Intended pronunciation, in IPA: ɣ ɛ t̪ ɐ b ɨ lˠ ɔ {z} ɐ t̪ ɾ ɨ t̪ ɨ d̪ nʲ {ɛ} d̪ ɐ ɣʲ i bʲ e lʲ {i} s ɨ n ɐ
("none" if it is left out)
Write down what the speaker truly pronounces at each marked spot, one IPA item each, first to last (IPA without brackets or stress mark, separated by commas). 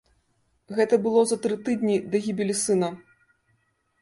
z, i, i